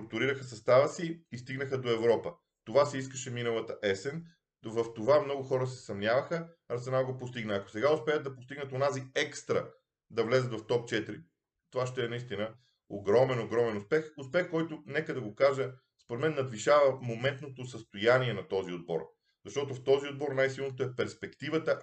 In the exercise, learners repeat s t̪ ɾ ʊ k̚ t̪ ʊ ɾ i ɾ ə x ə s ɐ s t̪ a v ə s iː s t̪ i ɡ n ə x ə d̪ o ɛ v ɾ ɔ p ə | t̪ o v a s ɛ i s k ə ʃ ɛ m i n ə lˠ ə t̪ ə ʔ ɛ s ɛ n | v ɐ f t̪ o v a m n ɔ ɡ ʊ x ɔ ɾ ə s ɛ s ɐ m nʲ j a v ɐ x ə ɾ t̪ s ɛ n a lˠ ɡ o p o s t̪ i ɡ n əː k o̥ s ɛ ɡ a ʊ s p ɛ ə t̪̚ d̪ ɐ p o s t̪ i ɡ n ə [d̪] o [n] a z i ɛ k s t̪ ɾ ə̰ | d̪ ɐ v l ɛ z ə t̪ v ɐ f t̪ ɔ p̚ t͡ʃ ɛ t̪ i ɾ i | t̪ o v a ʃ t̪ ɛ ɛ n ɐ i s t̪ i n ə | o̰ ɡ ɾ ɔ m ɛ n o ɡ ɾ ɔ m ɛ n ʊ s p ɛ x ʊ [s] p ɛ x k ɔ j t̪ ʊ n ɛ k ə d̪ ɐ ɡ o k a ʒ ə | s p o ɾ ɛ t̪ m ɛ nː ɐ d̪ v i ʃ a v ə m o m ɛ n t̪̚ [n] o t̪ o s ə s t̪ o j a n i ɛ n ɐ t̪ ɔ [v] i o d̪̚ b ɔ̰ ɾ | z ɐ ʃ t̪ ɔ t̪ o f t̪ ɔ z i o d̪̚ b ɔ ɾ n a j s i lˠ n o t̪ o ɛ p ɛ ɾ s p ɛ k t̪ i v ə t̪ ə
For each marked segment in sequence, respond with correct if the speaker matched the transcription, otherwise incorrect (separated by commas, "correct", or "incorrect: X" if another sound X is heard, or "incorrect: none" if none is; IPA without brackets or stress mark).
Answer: incorrect: t̪, correct, correct, correct, incorrect: z